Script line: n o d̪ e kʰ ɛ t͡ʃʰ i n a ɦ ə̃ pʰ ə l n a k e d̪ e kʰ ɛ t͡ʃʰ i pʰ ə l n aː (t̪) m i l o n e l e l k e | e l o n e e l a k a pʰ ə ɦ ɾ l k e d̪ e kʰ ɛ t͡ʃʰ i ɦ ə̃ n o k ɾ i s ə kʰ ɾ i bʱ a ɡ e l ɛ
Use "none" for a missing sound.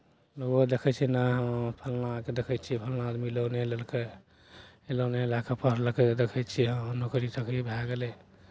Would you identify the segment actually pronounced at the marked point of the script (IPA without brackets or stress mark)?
d̪